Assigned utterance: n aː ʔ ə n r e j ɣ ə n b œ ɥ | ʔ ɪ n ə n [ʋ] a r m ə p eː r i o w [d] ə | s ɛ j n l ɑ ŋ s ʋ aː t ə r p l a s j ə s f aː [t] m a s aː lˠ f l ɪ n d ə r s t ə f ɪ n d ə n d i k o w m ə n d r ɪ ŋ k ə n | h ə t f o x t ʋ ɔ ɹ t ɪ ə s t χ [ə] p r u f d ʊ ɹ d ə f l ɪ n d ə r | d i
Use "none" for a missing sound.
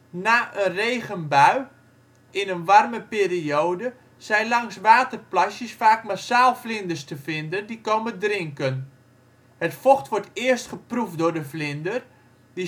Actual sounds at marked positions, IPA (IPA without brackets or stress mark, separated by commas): ʋ, d, k, ə